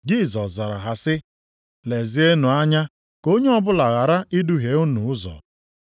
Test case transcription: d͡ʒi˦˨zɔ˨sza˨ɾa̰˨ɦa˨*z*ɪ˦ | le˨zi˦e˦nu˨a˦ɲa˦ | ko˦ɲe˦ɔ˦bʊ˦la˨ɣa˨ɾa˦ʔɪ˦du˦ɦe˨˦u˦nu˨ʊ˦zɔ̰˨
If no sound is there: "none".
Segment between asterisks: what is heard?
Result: s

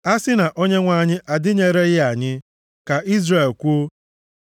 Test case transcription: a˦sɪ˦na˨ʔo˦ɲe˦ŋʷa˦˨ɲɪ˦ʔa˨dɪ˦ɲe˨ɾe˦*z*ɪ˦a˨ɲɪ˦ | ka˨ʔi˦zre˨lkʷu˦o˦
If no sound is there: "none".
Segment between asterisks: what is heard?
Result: ɣ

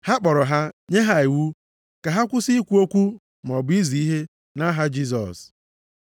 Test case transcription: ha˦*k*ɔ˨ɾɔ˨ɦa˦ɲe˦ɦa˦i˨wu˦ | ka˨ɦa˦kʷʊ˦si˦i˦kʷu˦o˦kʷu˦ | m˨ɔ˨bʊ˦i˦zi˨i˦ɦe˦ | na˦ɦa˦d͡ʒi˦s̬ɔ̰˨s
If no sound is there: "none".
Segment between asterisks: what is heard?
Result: k͡p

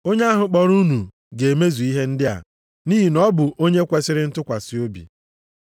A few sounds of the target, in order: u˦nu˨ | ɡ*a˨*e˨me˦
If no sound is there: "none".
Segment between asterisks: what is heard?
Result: e˨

